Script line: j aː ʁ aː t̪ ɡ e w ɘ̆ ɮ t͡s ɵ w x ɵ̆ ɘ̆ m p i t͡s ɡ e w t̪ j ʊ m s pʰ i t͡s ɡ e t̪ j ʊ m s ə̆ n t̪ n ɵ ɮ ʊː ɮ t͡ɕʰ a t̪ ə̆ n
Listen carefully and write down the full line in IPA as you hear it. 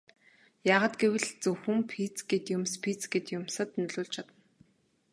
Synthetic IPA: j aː ʁ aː t̪ ɡ e w ɘ̆ ɮ t͡s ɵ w x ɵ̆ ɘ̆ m pʰ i t͡s ɡ e t̪ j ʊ m s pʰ i t͡s ɡ e t̪ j ʊ m s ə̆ t̪ n ɵ ɮ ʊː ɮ t͡ɕʰ a t̪ ə̆ n

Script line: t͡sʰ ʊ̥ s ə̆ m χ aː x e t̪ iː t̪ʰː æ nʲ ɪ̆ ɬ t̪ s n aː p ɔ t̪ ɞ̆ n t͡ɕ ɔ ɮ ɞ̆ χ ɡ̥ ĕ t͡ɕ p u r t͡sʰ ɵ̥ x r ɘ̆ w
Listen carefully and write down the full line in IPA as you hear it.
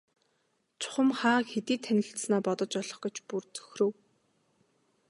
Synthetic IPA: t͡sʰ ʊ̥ χ ə̆ m χ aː x e t̪ iː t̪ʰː æ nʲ ɪ̆ ɬ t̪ s n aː p ɔ t̪ ɞ̆ t͡ɕ ɔ ɮ ɞ̆ χ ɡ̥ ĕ t͡ɕ p u r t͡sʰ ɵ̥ x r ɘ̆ w

